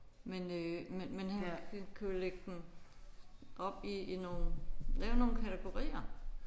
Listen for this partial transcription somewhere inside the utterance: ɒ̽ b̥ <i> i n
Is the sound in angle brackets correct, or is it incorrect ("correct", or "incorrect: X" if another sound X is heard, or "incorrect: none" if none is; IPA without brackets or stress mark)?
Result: correct